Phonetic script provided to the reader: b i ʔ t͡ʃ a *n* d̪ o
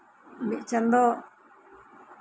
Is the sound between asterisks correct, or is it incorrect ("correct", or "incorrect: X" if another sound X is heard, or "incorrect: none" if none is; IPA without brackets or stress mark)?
correct